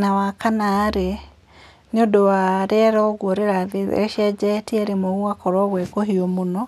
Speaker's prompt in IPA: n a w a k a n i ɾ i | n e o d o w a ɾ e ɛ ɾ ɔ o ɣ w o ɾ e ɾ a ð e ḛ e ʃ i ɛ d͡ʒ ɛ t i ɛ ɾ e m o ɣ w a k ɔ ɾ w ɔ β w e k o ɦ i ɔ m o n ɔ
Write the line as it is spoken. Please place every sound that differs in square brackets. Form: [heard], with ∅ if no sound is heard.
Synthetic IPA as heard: n a w a k a n [a] ɾ [e] | n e o d o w a ɾ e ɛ ɾ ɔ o ɣ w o ɾ e ɾ a ð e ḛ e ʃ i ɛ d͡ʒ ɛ t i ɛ ɾ e m o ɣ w a k ɔ ɾ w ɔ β w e k o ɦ i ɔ m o n ɔ